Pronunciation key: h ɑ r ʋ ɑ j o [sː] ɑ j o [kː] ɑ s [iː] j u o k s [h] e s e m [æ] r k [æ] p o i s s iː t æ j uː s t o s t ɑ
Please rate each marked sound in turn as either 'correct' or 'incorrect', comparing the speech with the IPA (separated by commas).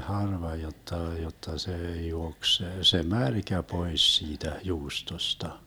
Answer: incorrect, incorrect, incorrect, incorrect, correct, correct